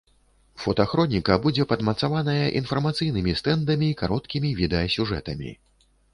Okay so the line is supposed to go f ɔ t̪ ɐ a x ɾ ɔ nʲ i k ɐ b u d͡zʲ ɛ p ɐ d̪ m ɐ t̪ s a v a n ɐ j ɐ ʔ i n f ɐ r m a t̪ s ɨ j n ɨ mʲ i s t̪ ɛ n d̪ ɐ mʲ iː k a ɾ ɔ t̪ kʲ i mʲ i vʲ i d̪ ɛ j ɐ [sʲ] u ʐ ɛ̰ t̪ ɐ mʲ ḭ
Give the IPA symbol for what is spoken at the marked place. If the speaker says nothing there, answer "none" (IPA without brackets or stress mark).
sʲ